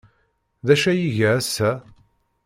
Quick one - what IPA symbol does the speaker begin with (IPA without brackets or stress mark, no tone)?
ð